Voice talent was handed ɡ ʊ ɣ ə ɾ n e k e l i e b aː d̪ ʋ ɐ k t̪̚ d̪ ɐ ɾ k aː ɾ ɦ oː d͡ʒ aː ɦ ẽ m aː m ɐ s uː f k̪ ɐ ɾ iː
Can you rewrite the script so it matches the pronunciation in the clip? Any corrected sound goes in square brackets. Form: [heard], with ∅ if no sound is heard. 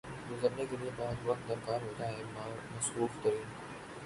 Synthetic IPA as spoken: ɡ ʊ [z] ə ɾ n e k e l i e b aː d̪ ʋ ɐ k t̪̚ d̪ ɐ ɾ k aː ɾ ɦ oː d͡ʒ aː ɦ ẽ m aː m ɐ s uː f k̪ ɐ ɾ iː